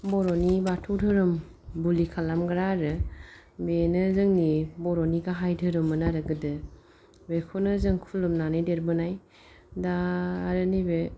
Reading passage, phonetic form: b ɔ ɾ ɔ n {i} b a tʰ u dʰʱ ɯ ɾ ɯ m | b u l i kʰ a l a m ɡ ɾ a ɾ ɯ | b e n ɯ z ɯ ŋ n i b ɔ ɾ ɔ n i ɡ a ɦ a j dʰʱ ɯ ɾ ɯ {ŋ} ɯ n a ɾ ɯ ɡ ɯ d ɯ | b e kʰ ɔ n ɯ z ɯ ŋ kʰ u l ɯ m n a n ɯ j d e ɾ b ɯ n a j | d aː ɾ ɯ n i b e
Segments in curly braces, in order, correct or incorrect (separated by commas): correct, incorrect